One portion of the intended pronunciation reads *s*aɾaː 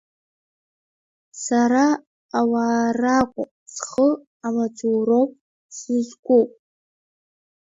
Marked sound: correct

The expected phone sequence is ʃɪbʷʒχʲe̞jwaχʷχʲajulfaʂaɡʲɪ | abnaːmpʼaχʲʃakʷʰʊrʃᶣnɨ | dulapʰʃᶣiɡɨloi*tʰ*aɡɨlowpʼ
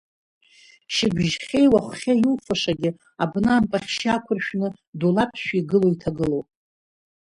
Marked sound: correct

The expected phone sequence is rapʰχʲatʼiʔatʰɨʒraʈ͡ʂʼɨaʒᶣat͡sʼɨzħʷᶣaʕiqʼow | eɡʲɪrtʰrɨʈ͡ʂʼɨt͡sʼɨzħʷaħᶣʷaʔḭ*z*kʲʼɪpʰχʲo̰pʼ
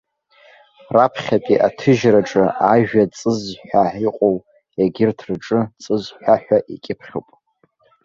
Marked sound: incorrect: none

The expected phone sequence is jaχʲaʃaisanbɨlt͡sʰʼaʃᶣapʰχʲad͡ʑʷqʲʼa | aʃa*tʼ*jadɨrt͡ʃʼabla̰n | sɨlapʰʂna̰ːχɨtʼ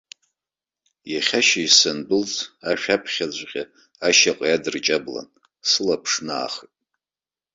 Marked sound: incorrect: qʼ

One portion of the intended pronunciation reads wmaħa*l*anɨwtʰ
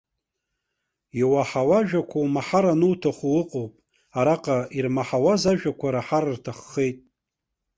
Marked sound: incorrect: ɾ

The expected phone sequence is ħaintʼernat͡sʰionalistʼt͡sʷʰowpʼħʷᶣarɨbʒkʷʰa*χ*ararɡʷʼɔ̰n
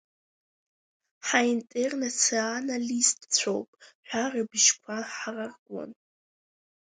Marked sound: incorrect: ħ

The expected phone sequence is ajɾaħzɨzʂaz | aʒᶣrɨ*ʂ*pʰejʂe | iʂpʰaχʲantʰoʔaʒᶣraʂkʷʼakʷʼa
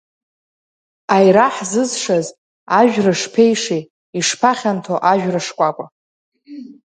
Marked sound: correct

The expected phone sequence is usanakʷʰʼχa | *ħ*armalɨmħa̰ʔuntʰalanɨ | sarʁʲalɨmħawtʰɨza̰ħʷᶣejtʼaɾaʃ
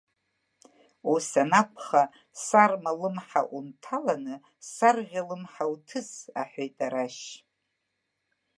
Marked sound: incorrect: s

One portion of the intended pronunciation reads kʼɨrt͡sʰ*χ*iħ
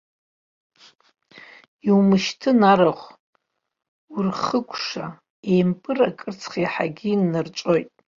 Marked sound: correct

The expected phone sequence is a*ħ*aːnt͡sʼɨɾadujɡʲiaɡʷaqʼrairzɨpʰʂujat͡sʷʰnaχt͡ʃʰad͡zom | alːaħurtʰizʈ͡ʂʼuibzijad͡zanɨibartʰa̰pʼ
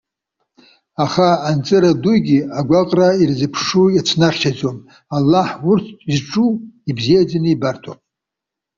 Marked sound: incorrect: χ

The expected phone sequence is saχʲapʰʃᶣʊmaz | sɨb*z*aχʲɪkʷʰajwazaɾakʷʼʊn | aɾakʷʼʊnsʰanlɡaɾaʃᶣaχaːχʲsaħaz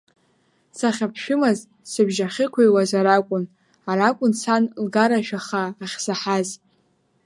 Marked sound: incorrect: ʒ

